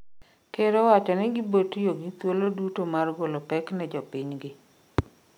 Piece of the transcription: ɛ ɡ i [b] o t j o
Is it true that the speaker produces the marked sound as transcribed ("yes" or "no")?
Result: yes